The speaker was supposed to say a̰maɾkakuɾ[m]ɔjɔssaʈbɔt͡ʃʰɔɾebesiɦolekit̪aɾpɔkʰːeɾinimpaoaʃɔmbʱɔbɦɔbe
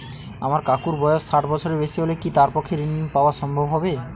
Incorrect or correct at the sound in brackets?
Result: incorrect: b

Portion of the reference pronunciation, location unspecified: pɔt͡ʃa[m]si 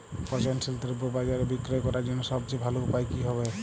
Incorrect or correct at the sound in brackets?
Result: incorrect: n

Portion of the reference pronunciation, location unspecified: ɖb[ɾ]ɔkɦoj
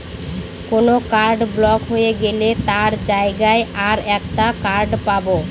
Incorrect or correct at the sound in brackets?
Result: incorrect: l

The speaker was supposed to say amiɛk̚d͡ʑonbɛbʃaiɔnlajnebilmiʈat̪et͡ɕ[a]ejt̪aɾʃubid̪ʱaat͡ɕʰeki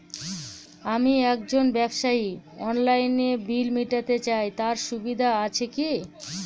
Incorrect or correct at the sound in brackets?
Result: correct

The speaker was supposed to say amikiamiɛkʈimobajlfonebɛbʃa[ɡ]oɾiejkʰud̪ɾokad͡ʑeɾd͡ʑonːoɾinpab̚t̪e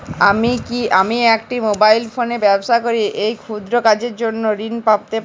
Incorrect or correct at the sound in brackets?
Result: incorrect: k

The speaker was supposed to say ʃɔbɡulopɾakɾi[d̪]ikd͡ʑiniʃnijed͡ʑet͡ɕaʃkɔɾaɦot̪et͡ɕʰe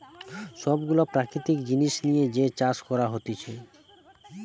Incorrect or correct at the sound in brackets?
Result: incorrect: t̪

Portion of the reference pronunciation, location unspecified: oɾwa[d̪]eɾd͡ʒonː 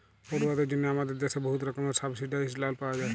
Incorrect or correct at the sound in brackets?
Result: correct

